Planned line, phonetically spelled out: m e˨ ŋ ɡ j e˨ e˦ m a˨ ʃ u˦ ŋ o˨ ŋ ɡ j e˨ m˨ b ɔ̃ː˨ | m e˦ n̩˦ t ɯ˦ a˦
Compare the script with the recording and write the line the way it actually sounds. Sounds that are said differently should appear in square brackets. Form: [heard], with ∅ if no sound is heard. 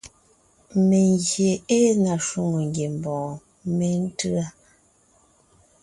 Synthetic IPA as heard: m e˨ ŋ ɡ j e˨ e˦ [n] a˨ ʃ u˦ ŋ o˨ ŋ ɡ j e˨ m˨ b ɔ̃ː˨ | m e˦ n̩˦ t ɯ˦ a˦

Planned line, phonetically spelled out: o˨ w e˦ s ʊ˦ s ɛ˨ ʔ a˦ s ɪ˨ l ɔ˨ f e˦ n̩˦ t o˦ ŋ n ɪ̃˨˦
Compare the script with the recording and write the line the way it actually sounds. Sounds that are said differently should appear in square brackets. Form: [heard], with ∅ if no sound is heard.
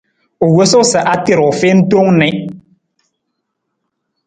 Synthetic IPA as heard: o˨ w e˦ s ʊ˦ s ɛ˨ ʔ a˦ [t] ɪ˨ [ɾ] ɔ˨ f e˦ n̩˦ t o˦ ŋ n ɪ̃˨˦

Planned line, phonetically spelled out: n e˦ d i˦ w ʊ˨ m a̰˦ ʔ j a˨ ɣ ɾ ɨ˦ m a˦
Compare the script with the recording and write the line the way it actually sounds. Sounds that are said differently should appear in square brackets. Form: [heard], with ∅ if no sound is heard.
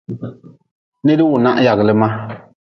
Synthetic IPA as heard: n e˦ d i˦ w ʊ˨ [n] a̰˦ ʔ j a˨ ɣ [l] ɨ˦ m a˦

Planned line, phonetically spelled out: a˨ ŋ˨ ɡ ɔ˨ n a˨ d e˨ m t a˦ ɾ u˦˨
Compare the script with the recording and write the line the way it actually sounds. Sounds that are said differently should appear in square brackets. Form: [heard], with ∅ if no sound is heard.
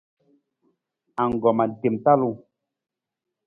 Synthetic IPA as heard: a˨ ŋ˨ ɡ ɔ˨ [m] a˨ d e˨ m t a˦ [l] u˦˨

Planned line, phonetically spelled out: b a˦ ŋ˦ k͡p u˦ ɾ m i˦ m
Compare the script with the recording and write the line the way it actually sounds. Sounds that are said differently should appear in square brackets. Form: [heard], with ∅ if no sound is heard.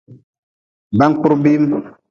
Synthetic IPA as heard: b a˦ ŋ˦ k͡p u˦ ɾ [b] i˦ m

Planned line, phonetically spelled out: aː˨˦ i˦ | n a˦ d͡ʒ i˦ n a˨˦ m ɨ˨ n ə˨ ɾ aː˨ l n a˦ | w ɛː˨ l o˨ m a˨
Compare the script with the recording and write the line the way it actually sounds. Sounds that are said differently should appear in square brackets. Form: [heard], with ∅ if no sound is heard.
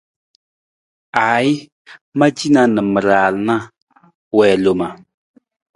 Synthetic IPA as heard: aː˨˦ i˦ | [m] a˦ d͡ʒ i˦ n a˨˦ [n] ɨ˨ [m] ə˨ ɾ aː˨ l n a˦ | w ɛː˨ l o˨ m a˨

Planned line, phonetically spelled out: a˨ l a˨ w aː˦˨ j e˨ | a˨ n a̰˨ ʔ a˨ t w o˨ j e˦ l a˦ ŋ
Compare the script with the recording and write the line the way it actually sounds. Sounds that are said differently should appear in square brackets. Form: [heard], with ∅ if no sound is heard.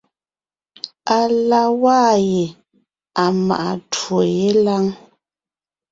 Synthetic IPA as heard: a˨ l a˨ w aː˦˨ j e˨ | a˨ [m] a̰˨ ʔ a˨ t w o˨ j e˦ l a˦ ŋ

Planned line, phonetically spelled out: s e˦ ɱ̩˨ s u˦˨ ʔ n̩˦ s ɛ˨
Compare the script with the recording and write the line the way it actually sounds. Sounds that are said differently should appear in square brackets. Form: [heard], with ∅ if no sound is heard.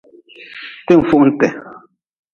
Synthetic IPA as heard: [t] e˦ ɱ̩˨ [f] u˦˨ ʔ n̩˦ [t] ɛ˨

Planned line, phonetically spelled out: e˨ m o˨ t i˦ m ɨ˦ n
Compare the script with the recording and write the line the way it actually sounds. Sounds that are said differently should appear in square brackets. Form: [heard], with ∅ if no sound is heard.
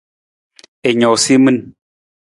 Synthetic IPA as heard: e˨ [ɲ] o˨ [s] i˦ m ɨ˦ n

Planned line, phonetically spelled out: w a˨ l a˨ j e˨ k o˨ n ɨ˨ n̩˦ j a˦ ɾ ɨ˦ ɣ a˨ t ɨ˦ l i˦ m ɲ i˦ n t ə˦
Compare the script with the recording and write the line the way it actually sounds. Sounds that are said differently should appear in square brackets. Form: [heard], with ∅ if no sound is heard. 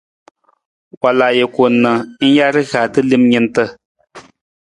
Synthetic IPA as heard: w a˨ l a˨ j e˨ k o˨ n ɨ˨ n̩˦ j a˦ ɾ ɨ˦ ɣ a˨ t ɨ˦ l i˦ m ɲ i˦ n t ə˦

